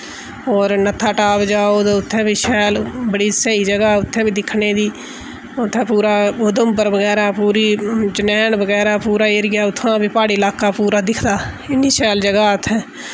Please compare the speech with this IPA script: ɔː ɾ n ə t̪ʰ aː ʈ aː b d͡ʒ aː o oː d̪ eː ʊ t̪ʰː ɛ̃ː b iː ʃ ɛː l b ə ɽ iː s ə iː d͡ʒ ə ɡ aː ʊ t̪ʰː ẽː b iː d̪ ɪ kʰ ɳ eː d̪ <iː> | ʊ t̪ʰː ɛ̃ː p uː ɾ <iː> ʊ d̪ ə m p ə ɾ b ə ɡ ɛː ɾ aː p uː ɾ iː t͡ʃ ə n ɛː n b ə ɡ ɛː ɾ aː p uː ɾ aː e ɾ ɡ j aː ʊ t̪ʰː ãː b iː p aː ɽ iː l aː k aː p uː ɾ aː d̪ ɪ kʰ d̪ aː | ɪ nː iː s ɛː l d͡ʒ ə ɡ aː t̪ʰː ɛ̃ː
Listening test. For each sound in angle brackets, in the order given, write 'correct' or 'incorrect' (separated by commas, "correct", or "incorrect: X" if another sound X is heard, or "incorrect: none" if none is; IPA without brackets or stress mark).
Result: correct, incorrect: aː